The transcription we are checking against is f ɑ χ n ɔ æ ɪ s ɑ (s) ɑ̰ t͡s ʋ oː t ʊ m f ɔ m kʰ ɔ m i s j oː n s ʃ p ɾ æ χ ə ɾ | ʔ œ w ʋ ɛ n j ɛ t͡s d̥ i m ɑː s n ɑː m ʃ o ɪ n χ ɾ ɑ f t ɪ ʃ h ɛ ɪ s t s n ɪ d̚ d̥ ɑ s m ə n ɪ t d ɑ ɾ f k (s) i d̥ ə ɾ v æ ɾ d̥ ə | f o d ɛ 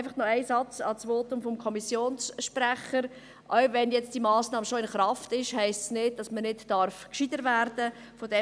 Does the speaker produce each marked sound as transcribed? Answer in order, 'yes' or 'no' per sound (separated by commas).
no, no